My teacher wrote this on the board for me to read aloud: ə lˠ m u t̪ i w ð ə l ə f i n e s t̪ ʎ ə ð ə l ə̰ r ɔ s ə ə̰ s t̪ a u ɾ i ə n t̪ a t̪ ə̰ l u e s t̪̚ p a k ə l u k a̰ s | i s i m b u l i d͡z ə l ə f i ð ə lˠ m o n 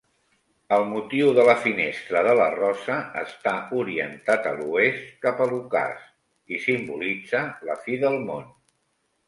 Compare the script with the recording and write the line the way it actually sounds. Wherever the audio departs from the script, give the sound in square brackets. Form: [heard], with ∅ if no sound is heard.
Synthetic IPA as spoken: ə lˠ m u t̪ i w ð ə l ə f i n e s t̪ [ɾ] ə ð ə l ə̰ r ɔ s ə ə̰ s t̪ a u ɾ i ə n t̪ a t̪ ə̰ l u e s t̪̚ [k] a [p] ə l u k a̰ s | i s i m b u l i d͡z ə l ə f i ð ə lˠ m o n